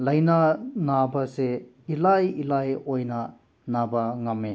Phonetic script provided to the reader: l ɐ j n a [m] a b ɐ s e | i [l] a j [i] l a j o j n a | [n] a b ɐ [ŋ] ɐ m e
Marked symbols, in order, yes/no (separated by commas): no, yes, yes, yes, yes